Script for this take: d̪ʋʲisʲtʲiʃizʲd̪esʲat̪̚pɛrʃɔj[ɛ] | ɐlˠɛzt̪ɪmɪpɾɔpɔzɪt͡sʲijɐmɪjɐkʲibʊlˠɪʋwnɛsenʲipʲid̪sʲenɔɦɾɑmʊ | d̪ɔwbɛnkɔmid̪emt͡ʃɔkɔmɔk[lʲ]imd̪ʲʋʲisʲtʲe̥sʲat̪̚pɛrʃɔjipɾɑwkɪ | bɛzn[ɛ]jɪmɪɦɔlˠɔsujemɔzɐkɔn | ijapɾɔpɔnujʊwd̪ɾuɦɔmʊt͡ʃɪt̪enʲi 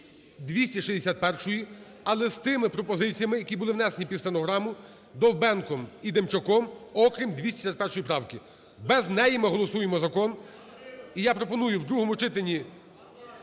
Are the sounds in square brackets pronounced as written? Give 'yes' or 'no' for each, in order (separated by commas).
no, no, yes